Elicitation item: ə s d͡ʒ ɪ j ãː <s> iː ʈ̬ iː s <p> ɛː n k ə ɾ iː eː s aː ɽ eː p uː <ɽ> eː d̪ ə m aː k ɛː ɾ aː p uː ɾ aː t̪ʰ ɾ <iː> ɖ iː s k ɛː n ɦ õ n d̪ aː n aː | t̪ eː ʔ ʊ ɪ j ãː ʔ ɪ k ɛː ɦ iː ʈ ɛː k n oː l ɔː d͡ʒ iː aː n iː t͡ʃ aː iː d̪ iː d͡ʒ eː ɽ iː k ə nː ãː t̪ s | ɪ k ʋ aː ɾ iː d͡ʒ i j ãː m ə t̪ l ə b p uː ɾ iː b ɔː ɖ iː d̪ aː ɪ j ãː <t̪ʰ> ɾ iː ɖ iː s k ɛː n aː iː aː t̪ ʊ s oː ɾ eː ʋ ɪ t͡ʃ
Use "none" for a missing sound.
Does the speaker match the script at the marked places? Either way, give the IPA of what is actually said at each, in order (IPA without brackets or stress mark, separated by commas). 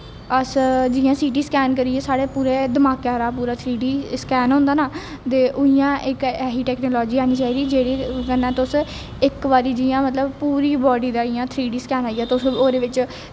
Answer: s, k, ɾ, iː, t̪ʰ